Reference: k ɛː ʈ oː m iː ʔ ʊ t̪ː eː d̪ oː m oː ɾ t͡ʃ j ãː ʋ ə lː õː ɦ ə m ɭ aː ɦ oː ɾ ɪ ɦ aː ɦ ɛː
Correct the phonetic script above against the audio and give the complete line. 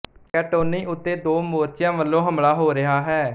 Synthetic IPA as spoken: k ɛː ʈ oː n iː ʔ ʊ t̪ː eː d̪ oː m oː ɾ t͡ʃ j ãː ʋ ə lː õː ɦ ə m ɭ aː ɦ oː ɾ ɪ ɦ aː ɦ ɛː

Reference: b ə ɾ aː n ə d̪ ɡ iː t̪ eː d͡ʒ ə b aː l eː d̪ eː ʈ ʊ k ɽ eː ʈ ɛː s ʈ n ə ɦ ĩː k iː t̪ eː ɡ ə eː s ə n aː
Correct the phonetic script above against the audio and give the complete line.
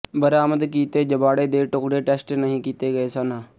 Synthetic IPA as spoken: b ə ɾ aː m ə d̪ k iː t̪ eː d͡ʒ ə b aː ɽ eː d̪ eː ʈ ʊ k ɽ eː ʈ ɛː s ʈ n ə ɦ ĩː k iː t̪ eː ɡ ə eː s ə n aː

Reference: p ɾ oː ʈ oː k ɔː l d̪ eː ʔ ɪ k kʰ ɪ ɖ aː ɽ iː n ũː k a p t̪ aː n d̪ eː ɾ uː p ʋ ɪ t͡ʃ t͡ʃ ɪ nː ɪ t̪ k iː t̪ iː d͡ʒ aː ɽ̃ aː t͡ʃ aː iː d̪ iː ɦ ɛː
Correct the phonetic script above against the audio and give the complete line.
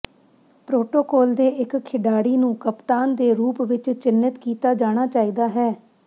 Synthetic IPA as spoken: p ɾ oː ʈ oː k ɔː l d̪ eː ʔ ɪ k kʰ ɪ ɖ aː ɽ iː n ũː k ə p t̪ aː n d̪ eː ɾ uː p ʋ ɪ t͡ʃ t͡ʃ ɪ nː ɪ t̪ k iː t̪ aː d͡ʒ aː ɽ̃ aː t͡ʃ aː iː d̪ aː ɦ ɛː

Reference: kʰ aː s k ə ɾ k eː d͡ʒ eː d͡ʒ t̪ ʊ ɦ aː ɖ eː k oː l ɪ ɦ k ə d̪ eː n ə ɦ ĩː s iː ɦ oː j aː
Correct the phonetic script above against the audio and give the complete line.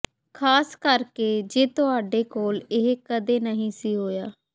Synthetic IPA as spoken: kʰ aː s k ə ɾ k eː d͡ʒ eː t̪ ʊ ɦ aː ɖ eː k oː l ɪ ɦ k ə d̪ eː n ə ɦ ĩː s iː ɦ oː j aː

